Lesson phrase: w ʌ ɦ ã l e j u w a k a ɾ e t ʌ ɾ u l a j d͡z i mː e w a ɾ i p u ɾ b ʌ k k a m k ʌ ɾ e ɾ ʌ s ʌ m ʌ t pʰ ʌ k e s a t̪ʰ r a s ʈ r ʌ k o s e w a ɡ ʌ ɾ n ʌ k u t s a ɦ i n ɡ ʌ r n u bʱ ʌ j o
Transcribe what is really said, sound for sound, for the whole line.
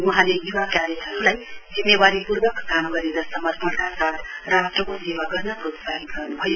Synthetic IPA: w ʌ ɦ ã l e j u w a k a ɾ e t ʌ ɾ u l a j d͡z i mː e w a ɾ i p u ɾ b ʌ k k a m ɡ ʌ ɾ e ɾ ʌ s ʌ m ʌ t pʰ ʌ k a s a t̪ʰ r a s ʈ r ʌ k o s e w a ɡ ʌ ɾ n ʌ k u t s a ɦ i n ɡ ʌ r n u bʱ ʌ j o